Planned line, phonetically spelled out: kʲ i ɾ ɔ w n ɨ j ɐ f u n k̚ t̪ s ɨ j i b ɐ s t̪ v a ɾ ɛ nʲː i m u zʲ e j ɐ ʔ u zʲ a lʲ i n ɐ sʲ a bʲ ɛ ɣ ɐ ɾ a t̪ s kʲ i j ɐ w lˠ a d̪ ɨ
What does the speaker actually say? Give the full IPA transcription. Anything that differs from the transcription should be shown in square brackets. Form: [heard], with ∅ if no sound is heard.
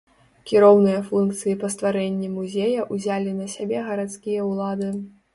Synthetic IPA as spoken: kʲ i ɾ ɔ w n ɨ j ɐ f u n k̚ t̪ s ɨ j i [p] ɐ s t̪ v a ɾ ɛ nʲː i m u zʲ e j ɐ ʔ u zʲ a lʲ i n ɐ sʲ a bʲ ɛ ɣ ɐ ɾ a t̪ s kʲ i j ɐ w lˠ a d̪ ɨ